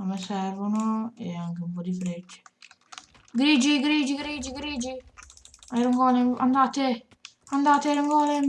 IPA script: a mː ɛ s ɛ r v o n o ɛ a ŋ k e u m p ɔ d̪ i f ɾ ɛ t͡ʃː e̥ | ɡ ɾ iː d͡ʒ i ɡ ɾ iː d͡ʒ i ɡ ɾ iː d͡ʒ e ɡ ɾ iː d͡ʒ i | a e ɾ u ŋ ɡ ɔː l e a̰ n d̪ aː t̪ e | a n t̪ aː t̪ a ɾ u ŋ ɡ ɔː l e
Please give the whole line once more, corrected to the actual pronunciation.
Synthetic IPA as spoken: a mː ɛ s ɛ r v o n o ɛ a ŋ k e u m p ɔ d̪ i f ɾ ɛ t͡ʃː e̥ | ɡ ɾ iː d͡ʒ i ɡ ɾ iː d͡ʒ i ɡ ɾ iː d͡ʒ i ɡ ɾ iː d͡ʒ i | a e ɾ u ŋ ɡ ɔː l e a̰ n d̪ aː t̪ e | a n d̪ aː t̪ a ɾ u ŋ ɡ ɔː l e